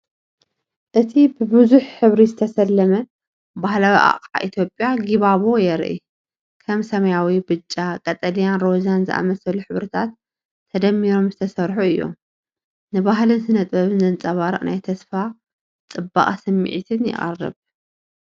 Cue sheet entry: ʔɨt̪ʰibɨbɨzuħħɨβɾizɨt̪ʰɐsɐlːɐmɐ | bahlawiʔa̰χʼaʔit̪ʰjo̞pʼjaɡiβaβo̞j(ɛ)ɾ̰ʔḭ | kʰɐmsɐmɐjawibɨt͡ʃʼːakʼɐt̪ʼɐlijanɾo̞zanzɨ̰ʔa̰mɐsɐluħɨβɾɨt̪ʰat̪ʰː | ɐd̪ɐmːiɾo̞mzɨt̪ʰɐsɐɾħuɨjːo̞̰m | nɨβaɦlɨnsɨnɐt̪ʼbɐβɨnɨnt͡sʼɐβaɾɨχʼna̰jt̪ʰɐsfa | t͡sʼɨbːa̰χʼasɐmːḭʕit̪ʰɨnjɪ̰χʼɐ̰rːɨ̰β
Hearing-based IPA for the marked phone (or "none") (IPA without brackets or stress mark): ɛ